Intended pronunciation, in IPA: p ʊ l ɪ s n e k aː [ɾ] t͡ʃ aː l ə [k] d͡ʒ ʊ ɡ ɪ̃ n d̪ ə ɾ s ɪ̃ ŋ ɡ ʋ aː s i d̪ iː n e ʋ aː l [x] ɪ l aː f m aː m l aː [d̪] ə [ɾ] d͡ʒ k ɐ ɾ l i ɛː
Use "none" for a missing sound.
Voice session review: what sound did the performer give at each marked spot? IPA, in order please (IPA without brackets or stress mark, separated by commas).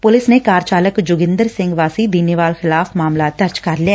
ɾ, k, x, t̪, ɾ